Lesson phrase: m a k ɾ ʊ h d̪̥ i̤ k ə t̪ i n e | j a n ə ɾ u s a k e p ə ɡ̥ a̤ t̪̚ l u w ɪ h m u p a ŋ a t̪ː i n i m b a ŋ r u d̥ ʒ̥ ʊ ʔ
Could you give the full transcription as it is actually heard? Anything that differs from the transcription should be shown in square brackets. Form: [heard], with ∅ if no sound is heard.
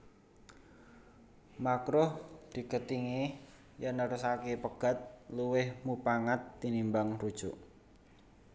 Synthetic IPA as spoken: m a k ɾ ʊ h d̪̥ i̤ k ə t̪ i [ŋ] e | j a n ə ɾ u s a k e p ə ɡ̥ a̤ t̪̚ l u w ɪ h m u p a ŋ a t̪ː i n i m b a ŋ r u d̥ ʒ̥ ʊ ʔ